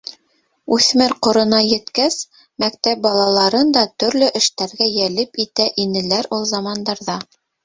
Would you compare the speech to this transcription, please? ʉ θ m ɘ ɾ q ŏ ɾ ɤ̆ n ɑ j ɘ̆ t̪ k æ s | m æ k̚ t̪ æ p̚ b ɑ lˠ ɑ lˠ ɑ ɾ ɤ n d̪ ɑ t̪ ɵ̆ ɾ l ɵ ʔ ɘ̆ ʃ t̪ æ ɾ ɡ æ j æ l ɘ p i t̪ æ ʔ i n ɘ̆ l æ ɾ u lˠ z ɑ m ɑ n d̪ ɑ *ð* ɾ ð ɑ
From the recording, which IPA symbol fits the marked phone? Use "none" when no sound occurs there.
none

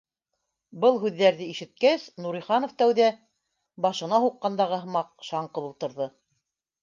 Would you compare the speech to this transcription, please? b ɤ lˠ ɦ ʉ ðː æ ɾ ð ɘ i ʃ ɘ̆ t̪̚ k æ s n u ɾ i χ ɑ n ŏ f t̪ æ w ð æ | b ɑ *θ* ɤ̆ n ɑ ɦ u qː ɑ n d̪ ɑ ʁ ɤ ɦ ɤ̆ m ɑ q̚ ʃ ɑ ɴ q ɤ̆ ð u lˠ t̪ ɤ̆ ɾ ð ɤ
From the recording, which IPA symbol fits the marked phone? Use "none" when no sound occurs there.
ʃ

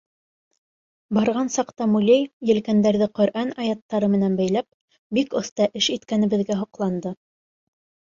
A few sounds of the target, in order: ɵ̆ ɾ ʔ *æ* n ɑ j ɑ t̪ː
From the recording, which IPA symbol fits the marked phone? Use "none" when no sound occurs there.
æ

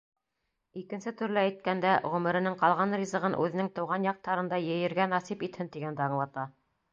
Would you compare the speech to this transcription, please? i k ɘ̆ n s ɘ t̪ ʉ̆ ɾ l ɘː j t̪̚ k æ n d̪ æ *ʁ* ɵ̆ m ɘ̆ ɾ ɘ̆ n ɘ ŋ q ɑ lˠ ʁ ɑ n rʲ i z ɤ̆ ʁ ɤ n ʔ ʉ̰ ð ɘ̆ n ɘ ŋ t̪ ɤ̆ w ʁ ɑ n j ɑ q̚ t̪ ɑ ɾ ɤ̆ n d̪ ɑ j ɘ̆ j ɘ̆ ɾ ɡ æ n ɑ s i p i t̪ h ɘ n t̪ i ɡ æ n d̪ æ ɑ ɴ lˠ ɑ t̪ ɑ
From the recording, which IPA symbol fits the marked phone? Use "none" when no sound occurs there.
ʁ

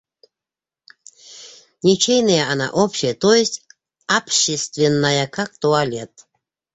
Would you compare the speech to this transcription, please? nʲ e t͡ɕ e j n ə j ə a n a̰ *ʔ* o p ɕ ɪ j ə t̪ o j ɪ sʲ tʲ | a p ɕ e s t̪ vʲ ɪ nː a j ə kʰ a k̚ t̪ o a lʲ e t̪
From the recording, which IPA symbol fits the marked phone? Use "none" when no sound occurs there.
ʔ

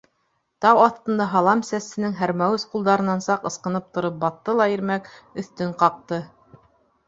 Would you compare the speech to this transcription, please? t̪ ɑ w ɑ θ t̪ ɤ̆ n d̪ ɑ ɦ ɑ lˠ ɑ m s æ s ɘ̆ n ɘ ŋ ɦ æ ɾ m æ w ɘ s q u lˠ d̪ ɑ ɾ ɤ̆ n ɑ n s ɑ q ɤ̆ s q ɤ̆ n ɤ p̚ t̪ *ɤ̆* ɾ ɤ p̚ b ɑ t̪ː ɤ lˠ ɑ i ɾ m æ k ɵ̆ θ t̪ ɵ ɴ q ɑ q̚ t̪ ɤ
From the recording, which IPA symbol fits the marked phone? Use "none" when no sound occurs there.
ŏ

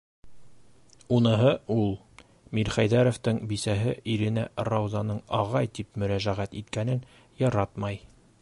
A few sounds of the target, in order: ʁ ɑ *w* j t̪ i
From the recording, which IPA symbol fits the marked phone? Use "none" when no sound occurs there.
none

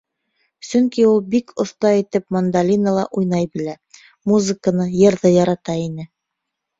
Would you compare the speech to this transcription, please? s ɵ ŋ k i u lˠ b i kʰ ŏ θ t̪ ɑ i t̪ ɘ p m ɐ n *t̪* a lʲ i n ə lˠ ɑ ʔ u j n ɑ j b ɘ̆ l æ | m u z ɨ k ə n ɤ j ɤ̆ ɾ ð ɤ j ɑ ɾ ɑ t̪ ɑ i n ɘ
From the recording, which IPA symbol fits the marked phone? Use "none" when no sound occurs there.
d̪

